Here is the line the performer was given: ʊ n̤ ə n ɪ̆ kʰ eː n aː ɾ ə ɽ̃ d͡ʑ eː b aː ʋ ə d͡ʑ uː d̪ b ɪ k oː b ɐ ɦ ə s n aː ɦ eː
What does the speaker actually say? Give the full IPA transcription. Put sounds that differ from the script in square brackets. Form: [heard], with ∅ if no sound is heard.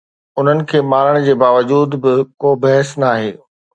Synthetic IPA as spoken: ʊ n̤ ə n ɪ̆ kʰ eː [m] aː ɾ ə ɽ̃ d͡ʑ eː b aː ʋ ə d͡ʑ uː d̪ b ɪ k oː b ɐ ɦ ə s n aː ɦ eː